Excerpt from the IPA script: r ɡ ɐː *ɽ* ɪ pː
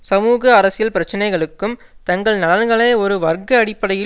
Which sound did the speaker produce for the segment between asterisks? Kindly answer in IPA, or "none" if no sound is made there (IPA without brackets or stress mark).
ɽ